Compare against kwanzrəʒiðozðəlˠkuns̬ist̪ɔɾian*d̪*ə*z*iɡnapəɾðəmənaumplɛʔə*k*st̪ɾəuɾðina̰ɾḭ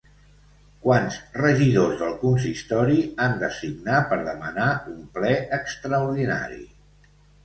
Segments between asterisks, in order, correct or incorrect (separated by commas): correct, incorrect, correct